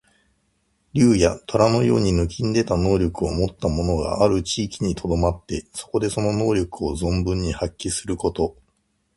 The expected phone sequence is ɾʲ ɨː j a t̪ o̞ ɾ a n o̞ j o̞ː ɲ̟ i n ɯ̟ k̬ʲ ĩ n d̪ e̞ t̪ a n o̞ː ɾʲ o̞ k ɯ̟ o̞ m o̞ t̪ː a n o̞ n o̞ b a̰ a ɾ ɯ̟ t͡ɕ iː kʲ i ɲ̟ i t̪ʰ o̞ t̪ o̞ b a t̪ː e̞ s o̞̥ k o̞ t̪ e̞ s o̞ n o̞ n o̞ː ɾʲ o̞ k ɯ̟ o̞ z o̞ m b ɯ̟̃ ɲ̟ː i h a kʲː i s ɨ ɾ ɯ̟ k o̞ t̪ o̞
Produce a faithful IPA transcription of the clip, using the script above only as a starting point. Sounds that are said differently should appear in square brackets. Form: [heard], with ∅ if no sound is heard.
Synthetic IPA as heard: ɾʲ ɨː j a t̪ o̞ ɾ a n o̞ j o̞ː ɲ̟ i n ɯ̟ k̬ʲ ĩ n d̪ e̞ t̪ a n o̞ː ɾʲ o̞ k ɯ̟ o̞ m o̞ t̪ː a [m] o̞ n o̞ [ɡ] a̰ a ɾ ɯ̟ t͡ɕ iː kʲ i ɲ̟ i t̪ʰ o̞ [d̪] o̞ [m] a t̪ː e̞ s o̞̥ k o̞ [d̪] e̞ s o̞ n o̞ n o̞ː ɾʲ o̞ k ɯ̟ o̞ z [õ̞] m b ɯ̟̃ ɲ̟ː i h a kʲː i s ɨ ɾ ɯ̟ k o̞ t̪ o̞